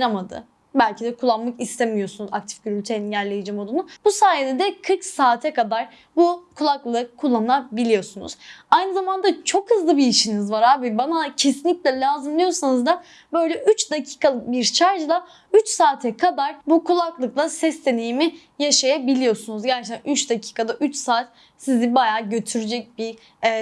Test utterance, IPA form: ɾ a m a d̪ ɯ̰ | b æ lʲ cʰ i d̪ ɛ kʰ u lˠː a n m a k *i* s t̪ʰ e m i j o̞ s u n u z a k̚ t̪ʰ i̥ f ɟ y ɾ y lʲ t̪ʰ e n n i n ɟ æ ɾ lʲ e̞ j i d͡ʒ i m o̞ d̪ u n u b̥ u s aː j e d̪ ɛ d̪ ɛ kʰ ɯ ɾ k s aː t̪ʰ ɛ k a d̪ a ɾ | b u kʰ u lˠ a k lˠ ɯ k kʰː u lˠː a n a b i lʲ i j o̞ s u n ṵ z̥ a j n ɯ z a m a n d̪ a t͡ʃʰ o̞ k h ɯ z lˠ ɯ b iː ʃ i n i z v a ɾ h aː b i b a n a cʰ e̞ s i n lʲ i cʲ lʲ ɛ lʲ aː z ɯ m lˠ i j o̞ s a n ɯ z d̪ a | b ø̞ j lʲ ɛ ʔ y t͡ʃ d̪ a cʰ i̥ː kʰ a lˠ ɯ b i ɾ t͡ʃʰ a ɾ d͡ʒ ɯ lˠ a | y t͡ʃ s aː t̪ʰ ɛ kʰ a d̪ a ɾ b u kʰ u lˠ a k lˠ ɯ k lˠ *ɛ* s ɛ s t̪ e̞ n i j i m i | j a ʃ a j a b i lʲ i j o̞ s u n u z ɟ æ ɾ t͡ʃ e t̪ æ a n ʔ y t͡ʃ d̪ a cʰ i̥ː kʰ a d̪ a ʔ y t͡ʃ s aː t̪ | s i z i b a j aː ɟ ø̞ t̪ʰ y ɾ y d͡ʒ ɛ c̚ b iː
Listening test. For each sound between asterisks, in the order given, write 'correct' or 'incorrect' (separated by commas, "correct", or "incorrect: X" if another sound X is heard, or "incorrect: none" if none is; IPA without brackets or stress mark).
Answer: correct, incorrect: a